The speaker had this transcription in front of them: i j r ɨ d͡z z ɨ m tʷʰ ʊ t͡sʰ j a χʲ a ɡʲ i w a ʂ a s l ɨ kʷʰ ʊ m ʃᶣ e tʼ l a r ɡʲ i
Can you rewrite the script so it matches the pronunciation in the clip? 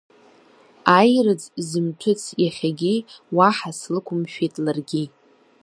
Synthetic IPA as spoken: a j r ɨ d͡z z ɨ m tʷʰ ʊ t͡sʰ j a χʲ a ɡʲ i w a ħ a s l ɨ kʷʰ ʊ m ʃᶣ e tʼ l a r ɡʲ i